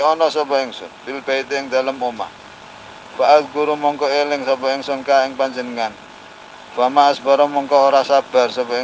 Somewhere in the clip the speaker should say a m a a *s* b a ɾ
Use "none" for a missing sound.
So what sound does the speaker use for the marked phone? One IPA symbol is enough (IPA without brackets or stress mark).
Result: s